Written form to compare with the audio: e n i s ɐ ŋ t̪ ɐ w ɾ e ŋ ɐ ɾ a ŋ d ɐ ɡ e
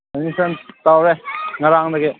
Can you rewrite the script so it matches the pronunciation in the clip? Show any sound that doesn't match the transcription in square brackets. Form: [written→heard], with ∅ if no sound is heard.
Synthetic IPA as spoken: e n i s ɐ [ŋ→n] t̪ [ɐ→a] w ɾ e ŋ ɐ ɾ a ŋ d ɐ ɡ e